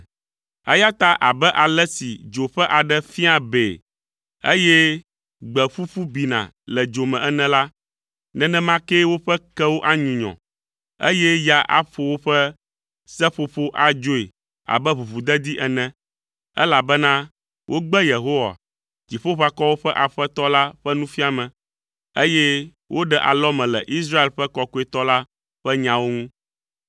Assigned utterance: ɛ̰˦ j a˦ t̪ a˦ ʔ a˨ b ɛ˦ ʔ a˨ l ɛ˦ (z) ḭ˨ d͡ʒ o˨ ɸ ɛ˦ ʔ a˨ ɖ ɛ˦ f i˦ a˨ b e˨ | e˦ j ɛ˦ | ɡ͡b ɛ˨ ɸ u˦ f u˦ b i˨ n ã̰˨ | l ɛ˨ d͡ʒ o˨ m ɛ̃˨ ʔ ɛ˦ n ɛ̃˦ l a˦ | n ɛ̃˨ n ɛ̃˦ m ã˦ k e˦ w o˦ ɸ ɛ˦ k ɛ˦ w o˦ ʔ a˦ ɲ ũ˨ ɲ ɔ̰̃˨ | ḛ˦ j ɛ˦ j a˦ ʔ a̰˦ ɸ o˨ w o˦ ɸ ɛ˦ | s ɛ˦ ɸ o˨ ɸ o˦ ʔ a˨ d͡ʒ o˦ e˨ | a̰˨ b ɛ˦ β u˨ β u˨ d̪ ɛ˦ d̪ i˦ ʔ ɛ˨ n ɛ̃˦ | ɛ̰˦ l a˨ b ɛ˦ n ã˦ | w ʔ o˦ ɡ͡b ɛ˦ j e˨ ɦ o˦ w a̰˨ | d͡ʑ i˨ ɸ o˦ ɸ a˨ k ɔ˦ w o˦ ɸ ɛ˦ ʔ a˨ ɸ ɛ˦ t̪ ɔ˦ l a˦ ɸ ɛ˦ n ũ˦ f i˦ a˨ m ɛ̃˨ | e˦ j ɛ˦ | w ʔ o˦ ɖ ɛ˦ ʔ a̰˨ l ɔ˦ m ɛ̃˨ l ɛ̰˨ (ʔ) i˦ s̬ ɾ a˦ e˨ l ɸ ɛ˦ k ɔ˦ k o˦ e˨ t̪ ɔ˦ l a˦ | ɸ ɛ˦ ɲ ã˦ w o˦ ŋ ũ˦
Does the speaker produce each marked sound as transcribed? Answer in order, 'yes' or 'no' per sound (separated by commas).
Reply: no, yes